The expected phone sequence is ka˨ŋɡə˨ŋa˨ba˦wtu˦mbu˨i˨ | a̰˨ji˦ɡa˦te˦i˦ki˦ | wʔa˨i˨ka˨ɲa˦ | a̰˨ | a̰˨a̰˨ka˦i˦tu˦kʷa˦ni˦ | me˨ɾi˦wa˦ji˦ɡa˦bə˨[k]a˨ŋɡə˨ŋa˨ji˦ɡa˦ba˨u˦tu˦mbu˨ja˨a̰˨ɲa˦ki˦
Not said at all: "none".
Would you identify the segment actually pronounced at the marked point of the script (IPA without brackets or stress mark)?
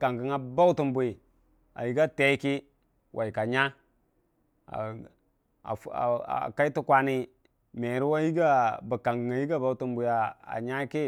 k